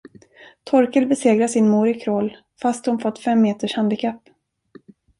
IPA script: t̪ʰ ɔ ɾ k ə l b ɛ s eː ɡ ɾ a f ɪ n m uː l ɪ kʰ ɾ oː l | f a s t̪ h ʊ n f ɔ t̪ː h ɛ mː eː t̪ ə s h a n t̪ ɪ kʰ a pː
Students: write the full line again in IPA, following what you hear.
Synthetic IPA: t̪ʰ ɔ ɾ k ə l b ɛ s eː ɡ ɾ a s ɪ n m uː ɾ ɪ kʰ ɾ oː l | f a s t̪ h ʊ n f ɔ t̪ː f ɛ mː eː t̪ ə ʂ h a n d̪ ɪ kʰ a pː

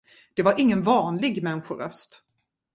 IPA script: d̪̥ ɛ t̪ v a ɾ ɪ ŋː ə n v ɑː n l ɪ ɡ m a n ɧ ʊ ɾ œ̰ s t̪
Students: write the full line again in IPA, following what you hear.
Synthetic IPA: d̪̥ ɛ v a ɾ ɪ ŋː ə n v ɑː n l ɪ ɡ m ɛ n ɧ ʊ ɾ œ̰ s t̪

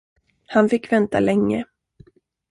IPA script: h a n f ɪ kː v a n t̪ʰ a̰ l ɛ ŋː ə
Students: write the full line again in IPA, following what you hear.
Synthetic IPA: h a n f ɪ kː v ɛ n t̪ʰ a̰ l ɛ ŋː ə

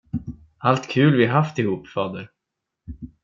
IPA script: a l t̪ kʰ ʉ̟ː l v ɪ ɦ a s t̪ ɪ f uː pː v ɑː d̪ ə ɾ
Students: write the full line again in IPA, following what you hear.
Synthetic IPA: a l t̪ kʰ ʉ̟ː l v ɪ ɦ a f t̪ ɪ h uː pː f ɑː d̪ ə ɾ

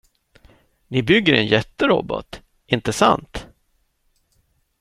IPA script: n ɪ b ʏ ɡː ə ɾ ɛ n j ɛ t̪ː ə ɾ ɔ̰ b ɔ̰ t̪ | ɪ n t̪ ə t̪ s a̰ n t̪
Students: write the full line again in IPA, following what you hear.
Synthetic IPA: n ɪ b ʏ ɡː ə ɾ ɛ n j ɛ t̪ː ə ɾ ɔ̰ b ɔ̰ t̪ | ɪ n t̪ ə s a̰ n t̪

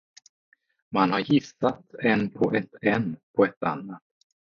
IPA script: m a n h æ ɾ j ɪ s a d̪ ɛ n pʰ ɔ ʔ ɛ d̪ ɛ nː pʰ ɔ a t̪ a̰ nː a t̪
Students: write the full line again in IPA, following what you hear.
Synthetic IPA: m a n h a ɾ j ɪ s a t̪ ɛ n pʰ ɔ ʔ ɛ t̪ ɛ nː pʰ ɔ ɛ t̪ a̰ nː a t̪

